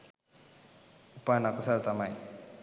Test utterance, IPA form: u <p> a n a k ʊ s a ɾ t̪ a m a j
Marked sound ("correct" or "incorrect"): correct